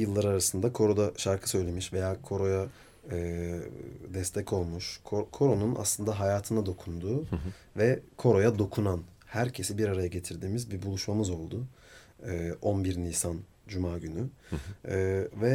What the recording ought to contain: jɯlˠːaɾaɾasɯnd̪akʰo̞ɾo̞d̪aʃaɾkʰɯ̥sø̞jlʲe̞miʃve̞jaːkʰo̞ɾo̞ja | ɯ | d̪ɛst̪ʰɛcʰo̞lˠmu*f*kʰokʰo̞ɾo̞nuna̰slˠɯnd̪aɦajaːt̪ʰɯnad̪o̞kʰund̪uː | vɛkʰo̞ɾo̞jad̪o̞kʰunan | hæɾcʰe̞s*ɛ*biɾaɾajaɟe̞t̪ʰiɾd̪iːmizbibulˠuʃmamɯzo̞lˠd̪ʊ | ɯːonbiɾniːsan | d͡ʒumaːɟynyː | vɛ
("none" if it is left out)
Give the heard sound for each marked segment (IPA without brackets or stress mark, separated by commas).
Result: ʃ, i